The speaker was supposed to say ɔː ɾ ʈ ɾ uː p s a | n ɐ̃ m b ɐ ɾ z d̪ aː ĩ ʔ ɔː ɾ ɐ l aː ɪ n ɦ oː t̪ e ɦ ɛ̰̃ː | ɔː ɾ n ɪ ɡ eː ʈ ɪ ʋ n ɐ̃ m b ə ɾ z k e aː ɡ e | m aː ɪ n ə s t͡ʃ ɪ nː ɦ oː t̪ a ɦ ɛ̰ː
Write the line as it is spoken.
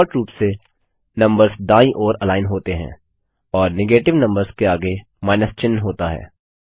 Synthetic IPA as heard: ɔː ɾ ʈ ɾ uː p s e | n ɐ̃ m b ə ɾ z d̪ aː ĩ ʔ ɔː ɾ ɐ l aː ɪ n ɦ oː t̪ e ɦ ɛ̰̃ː | ɔː ɾ n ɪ ɡ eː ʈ ɪ ʋ n ɐ̃ m b ə ɾ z k e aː ɡ e | m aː ɪ n ə s t͡ʃ ɪ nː ɦ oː t̪ a ɦ ɛ̰ː